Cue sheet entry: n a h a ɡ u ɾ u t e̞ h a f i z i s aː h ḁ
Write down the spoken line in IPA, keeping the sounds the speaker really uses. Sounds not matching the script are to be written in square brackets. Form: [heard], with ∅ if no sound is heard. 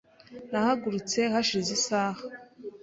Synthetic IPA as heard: n a h a ɡ u ɾ u [t͡s] e̞ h a [ʃ] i z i s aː h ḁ